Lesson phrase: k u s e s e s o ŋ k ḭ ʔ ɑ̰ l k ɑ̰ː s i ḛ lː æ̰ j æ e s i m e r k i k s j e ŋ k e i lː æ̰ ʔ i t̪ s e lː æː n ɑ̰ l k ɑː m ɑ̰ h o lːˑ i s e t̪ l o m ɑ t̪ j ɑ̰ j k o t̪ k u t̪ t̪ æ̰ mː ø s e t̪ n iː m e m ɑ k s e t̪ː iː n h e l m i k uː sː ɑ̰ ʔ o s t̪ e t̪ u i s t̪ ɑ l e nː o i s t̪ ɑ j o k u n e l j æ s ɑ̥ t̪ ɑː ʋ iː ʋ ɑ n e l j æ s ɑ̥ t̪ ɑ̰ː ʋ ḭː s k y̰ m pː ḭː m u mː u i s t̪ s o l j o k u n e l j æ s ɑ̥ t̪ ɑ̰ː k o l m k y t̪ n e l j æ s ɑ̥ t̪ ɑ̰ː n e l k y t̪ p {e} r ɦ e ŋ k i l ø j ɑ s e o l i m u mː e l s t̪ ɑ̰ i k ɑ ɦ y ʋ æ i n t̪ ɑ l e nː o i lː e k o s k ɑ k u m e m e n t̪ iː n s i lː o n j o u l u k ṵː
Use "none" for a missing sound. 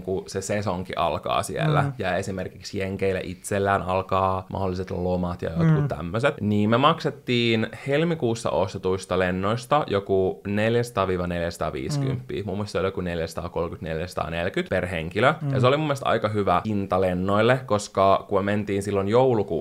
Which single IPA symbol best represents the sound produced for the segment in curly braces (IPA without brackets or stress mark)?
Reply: e